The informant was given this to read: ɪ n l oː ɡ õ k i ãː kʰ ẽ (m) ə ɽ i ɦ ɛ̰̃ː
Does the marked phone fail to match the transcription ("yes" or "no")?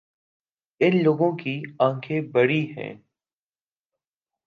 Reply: yes